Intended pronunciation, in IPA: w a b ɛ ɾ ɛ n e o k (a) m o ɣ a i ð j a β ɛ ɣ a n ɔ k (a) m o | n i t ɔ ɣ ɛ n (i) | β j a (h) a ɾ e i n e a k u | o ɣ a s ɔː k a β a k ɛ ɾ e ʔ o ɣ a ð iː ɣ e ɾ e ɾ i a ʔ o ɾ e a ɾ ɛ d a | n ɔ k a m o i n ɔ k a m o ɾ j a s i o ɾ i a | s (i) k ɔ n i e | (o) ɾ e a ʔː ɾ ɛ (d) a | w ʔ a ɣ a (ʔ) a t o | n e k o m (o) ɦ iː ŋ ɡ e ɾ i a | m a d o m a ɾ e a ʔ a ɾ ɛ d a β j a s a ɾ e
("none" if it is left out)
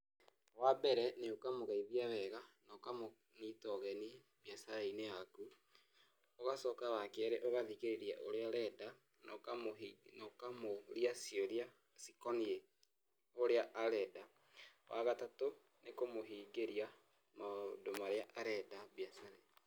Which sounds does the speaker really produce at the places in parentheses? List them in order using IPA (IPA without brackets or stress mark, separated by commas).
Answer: a, a, i, s, i, o, d, t, o